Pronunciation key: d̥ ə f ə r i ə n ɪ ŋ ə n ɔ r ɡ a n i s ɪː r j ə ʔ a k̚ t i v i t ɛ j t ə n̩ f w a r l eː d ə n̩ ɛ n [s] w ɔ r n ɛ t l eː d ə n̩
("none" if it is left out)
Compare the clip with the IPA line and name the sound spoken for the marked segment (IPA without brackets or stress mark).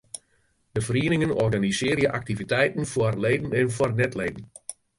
f